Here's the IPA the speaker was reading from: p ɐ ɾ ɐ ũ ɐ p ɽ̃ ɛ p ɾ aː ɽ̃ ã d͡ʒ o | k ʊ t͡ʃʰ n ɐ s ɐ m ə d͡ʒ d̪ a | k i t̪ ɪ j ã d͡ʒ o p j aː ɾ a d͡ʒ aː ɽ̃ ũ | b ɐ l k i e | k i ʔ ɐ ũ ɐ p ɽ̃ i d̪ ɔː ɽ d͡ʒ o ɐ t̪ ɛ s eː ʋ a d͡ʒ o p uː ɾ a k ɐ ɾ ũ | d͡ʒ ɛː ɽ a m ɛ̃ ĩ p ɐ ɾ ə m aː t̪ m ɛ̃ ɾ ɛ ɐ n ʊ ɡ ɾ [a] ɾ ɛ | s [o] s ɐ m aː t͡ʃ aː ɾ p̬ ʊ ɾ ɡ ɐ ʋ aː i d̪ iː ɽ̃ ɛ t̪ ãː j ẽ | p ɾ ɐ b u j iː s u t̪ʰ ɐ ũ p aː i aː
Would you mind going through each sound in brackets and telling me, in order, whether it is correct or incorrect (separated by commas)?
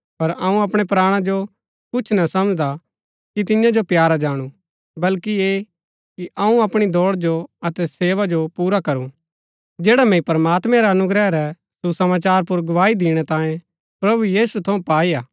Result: incorrect, incorrect